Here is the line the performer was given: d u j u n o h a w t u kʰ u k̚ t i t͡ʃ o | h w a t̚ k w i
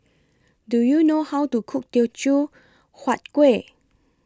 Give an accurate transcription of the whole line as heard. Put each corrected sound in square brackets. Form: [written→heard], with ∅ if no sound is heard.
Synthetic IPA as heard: d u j u n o h a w t u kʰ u k̚ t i t͡ʃ [o→u] | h w a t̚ k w [i→e]